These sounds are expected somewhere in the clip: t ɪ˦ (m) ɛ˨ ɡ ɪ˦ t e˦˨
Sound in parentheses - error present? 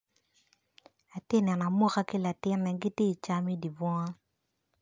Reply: yes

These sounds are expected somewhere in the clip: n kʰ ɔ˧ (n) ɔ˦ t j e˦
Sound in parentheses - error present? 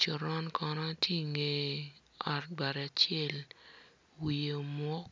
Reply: no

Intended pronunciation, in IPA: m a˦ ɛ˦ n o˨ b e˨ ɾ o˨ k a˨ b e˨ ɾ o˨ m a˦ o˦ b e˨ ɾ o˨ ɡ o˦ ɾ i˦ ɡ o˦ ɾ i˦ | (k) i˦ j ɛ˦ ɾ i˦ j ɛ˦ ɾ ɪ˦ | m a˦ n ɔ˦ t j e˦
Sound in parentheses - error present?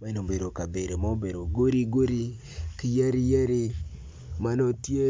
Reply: no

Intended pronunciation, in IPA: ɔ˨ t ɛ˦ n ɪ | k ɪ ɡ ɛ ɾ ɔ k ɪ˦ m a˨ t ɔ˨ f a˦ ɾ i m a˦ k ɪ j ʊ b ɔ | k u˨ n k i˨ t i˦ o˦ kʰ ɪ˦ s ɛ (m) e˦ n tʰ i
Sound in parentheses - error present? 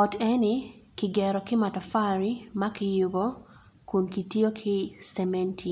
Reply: no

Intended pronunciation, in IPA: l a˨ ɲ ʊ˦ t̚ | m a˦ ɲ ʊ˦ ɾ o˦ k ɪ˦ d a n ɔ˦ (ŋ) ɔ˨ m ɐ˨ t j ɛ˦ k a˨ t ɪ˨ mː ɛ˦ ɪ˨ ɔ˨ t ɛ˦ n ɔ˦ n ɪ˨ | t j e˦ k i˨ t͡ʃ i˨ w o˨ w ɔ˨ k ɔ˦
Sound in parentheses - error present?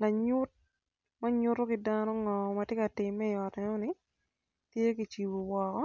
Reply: no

